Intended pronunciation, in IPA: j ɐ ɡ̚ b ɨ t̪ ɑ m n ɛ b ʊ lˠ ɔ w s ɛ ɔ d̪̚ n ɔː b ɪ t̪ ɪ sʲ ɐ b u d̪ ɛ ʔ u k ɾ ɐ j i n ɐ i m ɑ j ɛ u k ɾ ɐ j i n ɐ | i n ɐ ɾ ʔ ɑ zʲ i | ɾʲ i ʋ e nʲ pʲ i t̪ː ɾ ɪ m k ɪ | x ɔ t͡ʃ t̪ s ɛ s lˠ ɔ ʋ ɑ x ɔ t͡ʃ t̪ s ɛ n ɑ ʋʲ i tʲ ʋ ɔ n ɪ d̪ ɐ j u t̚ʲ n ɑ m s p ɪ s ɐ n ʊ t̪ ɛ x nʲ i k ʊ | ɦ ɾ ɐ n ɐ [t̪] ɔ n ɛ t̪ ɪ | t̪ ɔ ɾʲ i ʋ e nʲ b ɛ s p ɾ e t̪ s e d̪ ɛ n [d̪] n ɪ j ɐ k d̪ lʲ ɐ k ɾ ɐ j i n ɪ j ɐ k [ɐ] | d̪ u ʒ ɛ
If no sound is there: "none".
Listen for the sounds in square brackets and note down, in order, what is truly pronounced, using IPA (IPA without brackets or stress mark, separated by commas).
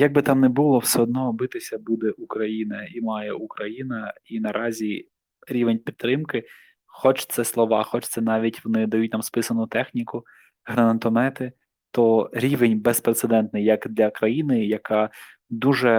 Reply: t̪, t̪, ɑ